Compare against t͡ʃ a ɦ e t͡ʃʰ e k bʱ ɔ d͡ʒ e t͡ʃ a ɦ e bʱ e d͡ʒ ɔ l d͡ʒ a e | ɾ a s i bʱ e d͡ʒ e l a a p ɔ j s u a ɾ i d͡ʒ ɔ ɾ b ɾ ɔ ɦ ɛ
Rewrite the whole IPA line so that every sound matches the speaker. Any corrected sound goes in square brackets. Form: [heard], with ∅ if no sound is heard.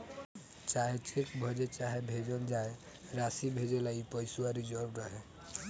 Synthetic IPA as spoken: t͡ʃ a ɦ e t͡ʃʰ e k bʱ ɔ d͡ʒ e t͡ʃ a ɦ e bʱ e d͡ʒ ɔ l d͡ʒ a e | ɾ a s i bʱ e d͡ʒ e l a [i] p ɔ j s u a ɾ i d͡ʒ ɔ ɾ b ɾ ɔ ɦ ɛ